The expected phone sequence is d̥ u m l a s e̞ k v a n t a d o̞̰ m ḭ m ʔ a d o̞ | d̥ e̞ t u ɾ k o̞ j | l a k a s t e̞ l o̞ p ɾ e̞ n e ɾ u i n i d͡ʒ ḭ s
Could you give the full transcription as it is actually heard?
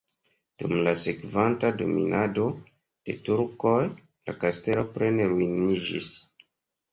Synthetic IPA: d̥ u m l a s e̞ k v a n t a d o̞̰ m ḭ n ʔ a d o̞ | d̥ e̞ t u ɾ k o̞ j | l a k a s t e̞ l o̞ p ɾ e̞ n e ɾ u i n i d͡ʒ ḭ s